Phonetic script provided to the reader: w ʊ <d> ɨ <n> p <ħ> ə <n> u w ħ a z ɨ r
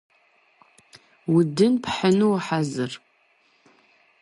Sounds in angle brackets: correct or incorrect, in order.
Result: correct, correct, correct, correct

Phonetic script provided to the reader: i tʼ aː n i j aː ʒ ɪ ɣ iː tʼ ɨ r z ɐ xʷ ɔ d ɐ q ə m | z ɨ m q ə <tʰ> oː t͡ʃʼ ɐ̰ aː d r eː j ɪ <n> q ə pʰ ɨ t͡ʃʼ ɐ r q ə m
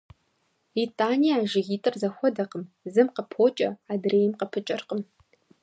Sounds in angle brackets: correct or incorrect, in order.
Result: incorrect, incorrect

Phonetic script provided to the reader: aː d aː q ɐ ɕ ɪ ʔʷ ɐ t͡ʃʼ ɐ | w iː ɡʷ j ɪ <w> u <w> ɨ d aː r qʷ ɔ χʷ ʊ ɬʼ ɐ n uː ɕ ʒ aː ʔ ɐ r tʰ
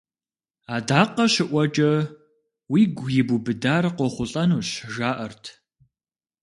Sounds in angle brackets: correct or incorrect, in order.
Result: incorrect, incorrect

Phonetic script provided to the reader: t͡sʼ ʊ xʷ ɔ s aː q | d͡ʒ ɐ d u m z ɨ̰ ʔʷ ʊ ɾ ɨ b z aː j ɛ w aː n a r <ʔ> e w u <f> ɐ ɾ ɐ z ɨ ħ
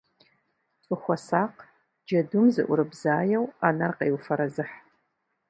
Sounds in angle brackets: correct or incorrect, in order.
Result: incorrect, correct

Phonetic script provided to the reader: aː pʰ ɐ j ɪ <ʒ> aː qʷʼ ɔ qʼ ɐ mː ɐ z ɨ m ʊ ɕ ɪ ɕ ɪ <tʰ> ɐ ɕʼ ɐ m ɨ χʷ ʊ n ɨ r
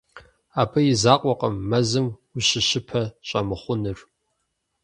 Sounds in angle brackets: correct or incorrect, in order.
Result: incorrect, incorrect

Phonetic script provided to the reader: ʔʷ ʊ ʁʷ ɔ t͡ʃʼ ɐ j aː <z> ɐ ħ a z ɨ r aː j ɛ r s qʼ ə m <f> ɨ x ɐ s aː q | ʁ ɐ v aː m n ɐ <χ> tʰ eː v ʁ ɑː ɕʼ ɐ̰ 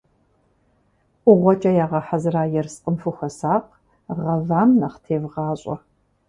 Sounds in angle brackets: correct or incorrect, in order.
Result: incorrect, correct, correct

